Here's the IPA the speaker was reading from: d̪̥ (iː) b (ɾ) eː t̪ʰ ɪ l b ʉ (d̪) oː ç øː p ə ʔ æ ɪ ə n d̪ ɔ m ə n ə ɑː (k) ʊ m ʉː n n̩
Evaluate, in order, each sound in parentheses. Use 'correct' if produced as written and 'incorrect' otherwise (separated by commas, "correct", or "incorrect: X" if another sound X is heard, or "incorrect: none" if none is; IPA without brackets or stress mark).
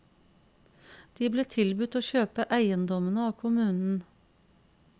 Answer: correct, incorrect: l, incorrect: t̪, incorrect: kʰ